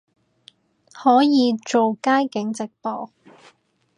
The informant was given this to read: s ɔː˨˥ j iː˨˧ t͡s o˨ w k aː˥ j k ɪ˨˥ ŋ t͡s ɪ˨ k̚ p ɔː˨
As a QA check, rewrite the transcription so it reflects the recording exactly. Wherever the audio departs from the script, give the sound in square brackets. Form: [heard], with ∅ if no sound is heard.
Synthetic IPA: [h] ɔː˨˥ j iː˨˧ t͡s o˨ w k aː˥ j k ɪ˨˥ ŋ t͡s ɪ˨ k̚ p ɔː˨